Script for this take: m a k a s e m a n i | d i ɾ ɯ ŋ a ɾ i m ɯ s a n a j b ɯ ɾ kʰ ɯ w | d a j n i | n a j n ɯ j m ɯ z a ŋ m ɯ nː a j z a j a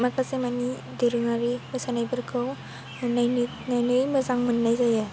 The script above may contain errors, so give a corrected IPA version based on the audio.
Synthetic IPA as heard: m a k a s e m a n i | d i ɾ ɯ ŋ a ɾ i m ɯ s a n a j b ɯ ɾ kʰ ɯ w | n a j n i | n a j n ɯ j m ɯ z a ŋ m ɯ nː a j z a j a